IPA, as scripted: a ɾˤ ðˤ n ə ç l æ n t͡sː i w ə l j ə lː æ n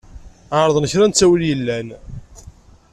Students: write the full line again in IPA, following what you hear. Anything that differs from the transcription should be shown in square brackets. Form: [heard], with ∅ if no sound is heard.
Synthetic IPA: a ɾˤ ðˤ n ə ç [ɾ] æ n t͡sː [æ] w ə l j ə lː æ n